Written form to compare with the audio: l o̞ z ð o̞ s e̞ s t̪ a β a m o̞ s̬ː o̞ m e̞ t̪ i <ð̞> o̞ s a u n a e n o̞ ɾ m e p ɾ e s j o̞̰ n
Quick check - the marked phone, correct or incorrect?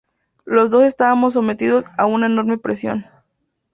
correct